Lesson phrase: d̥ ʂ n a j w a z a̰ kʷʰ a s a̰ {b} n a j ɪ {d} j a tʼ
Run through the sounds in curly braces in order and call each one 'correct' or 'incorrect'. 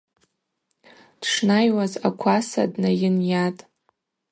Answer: incorrect: d, incorrect: n

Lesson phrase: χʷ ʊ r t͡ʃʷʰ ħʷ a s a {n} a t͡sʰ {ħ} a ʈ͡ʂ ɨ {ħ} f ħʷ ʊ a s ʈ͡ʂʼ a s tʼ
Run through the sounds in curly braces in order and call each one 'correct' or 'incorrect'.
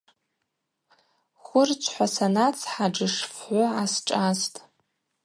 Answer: correct, correct, incorrect: ʂ

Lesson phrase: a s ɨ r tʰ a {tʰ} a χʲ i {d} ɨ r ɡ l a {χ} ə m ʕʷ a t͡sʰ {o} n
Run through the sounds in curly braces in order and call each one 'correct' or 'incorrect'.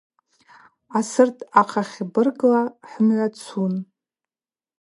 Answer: incorrect: qʰ, incorrect: b, incorrect: ħ, incorrect: u

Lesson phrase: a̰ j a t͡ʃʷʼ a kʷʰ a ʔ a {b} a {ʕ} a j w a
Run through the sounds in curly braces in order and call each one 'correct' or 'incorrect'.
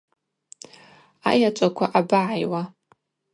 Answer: correct, correct

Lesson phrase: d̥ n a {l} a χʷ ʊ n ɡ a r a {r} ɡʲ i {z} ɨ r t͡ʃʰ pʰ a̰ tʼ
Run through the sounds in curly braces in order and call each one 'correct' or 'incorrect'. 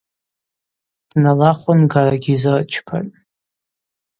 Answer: correct, incorrect: none, correct

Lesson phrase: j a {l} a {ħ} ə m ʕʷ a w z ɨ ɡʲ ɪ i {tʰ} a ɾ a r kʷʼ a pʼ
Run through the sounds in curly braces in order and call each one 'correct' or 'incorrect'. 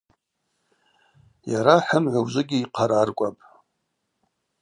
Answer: incorrect: ɾ, correct, incorrect: qʰ

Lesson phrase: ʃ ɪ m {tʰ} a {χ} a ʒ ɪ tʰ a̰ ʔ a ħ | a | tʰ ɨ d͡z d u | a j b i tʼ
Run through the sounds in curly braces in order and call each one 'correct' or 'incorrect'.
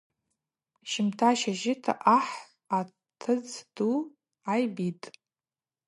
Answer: correct, incorrect: ʃ

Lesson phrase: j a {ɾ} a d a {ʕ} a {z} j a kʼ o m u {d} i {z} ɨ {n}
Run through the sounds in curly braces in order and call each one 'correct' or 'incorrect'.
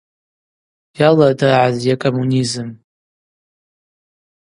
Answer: incorrect: l, correct, correct, incorrect: n, correct, incorrect: m

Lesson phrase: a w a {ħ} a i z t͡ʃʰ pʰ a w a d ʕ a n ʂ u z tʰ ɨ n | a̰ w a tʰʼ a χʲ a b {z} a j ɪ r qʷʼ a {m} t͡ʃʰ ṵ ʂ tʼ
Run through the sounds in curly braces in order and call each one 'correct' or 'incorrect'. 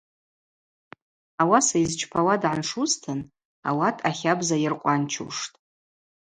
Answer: incorrect: s, correct, incorrect: n

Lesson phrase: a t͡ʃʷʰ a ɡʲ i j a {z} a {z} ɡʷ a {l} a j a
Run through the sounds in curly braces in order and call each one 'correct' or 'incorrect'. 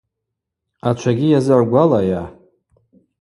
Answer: correct, incorrect: ʕ, correct

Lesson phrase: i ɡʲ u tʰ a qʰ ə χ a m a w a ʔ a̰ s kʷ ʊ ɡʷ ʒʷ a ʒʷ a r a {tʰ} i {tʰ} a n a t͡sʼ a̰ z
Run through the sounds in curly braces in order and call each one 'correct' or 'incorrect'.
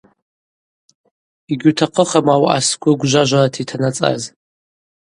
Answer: correct, correct

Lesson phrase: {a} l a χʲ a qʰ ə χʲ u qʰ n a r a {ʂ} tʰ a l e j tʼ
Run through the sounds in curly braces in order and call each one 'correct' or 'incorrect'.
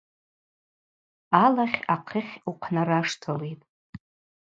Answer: correct, correct

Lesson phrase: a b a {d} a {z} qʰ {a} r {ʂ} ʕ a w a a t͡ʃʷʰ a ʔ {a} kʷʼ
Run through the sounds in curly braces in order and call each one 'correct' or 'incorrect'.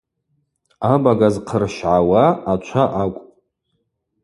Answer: incorrect: ɡ, correct, incorrect: ə, incorrect: ʃ, correct

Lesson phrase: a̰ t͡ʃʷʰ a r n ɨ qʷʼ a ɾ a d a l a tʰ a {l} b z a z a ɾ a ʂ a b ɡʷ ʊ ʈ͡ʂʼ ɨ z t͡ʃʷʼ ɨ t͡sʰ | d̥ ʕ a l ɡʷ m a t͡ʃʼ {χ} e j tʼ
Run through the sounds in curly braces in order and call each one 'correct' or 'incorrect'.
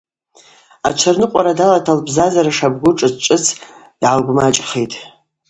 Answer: correct, correct

